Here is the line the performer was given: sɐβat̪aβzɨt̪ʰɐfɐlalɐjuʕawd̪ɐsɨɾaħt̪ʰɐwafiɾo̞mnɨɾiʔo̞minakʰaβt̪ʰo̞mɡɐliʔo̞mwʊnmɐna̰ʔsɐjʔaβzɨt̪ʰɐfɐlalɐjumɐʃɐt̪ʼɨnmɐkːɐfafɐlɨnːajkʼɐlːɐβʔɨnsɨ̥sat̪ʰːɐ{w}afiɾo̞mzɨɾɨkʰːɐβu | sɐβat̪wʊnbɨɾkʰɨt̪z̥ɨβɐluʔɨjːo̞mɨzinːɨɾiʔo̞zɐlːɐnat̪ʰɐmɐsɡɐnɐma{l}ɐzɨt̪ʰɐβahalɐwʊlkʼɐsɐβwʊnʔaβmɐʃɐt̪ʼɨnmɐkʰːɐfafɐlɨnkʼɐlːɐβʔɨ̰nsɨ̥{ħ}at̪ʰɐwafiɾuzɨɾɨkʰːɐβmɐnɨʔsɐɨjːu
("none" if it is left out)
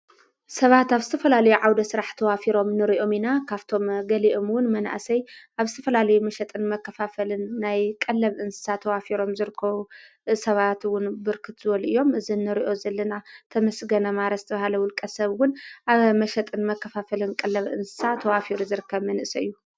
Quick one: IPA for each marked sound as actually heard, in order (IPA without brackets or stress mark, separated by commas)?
w, ɾ, s